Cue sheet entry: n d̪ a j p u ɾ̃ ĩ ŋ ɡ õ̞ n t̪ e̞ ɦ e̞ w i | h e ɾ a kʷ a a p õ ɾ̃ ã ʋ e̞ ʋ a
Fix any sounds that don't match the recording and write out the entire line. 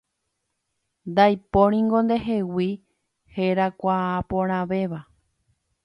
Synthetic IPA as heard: n d̪ a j p o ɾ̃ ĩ ŋ ɡ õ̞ n d̪ e̞ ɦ e̞ w i | h e ɾ a kʷ a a p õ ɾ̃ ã ʋ e̞ ʋ a